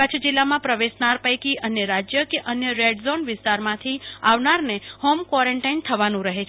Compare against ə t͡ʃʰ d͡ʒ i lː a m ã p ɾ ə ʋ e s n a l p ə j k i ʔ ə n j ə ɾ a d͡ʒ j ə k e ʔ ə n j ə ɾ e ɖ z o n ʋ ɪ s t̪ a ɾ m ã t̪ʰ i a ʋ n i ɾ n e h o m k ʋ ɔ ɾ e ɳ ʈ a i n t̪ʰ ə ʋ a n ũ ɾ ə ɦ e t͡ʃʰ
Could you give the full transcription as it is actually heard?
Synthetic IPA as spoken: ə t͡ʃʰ d͡ʒ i lː a m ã p ɾ ə ʋ e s n a ɾ p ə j k i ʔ ə n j ə ɾ a d͡ʒ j ə k e ʔ ə n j ə ɾ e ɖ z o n ʋ ɪ s t̪ a ɾ m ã t̪ʰ i a ʋ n a ɾ n e h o m k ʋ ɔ ɾ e ɳ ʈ a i n t̪ʰ ə ʋ a n ũ ɾ ə ɦ e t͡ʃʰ